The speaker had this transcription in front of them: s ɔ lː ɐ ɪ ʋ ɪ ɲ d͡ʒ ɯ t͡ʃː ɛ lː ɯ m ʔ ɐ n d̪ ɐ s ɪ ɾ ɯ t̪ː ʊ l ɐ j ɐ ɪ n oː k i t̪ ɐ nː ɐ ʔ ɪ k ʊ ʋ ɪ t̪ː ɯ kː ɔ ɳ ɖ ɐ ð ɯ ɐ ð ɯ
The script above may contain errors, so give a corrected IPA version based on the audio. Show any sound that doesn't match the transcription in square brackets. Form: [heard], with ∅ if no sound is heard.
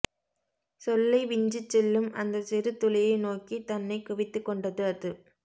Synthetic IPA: s ɔ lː ɐ ɪ ʋ ɪ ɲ d͡ʒ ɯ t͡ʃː ɛ lː ɯ m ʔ ɐ n d̪ ɐ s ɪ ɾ ɯ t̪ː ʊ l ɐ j ɐ ɪ n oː k i t̪ ɐ nː ɐ [∅] ɪ k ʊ ʋ ɪ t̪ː ɯ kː ɔ ɳ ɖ ɐ ð ɯ ɐ ð ɯ

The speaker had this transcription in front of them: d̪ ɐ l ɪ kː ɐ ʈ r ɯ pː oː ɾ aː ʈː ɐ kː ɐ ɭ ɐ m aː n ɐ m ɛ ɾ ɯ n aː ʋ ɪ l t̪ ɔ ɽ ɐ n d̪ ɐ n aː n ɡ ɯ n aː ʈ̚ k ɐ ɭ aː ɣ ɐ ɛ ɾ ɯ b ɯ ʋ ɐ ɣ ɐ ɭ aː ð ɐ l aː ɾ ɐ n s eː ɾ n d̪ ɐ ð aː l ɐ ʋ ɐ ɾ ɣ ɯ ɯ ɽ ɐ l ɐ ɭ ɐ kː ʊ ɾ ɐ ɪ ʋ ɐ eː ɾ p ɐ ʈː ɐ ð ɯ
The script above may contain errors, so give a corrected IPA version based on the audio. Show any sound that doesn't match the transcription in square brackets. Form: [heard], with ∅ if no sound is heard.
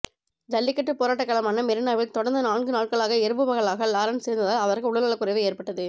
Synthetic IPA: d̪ ɐ [lː] ɪ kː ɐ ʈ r ɯ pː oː ɾ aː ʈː ɐ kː ɐ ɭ ɐ m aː n ɐ m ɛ ɾ ɯ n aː ʋ ɪ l t̪ ɔ ɽ ɐ n d̪ ɐ n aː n ɡ ɯ n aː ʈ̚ k ɐ ɭ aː ɣ ɐ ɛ ɾ ɯ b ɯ ʋ ɐ ɣ ɐ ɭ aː [ɣ] ɐ l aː ɾ ɐ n s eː ɾ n d̪ ɐ ð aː l ɐ ʋ ɐ ɾ ɣ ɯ [ʊ] ɽ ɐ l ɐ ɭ ɐ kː ʊ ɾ ɐ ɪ ʋ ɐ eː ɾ p ɐ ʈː ɐ ð ɯ

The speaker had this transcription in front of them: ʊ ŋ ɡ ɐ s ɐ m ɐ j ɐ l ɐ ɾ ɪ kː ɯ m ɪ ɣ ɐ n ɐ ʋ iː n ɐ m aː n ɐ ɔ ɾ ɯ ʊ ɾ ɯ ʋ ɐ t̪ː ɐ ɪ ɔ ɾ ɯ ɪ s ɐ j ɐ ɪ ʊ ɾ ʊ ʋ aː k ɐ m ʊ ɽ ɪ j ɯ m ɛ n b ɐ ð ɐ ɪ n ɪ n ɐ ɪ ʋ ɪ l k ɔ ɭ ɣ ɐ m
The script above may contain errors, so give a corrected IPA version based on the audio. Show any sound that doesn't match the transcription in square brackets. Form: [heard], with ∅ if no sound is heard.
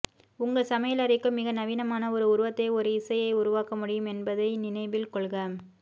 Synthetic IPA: ʊ ŋ ɡ ɐ s ɐ m ɐ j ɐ l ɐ ɾ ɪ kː ɯ m ɪ ɣ ɐ n ɐ ʋ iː n ɐ m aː n ɐ ɔ ɾ ɯ ʊ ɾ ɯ ʋ ɐ t̪ː ɐ ɪ ɔ ɾ ɯ ɪ s ɐ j ɐ ɪ ʊ ɾ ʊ ʋ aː k ɐ m ʊ ɽ ɪ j ɯ m ɛ n b ɐ ð ɐ ɪ n ɪ n ɐ ɪ ʋ ɪ l k ɔ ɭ ɣ ɐ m

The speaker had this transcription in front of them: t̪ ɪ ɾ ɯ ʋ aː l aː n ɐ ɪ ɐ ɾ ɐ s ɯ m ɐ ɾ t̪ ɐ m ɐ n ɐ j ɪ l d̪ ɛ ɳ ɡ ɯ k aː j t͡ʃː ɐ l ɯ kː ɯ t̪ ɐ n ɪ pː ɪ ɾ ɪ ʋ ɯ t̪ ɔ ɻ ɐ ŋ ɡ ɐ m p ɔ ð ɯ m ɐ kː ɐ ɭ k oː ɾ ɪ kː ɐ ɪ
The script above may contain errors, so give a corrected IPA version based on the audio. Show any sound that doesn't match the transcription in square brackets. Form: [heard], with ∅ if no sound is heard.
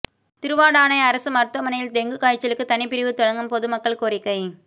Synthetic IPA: t̪ ɪ ɾ ɯ ʋ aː [ɽ] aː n ɐ ɪ ɐ ɾ ɐ s ɯ m ɐ ɾ t̪ ɐ m ɐ n ɐ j ɪ l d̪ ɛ [ŋ] ɡ ɯ k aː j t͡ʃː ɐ l ɯ kː ɯ t̪ ɐ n ɪ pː ɪ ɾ ɪ ʋ ɯ t̪ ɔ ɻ ɐ ŋ ɡ ɐ m p ɔ ð ɯ m ɐ kː ɐ ɭ k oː ɾ ɪ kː ɐ ɪ

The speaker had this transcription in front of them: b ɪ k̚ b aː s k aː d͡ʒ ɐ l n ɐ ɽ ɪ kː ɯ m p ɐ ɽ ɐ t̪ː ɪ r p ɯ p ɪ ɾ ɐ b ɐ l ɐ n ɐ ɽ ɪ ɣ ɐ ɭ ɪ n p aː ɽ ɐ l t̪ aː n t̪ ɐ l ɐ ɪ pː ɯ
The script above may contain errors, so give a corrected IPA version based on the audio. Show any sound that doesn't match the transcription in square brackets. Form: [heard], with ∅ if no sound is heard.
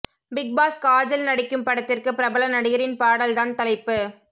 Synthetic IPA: b ɪ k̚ b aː s k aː d͡ʒ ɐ l n ɐ ɽ ɪ kː ɯ m p ɐ ɽ ɐ t̪ː ɪ r [k] ɯ p ɪ ɾ ɐ b ɐ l ɐ n ɐ ɽ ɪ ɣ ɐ [ɾ] ɪ n p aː ɽ ɐ l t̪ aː n t̪ ɐ l ɐ ɪ pː ɯ

